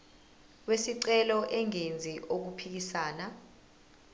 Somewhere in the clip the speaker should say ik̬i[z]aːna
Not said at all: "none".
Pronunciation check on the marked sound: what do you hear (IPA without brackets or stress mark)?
s